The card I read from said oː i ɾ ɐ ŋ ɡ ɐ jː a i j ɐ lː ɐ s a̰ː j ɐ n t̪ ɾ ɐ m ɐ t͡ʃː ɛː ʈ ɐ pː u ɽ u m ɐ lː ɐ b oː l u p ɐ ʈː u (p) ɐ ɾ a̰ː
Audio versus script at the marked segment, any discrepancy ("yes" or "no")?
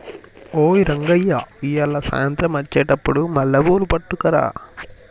yes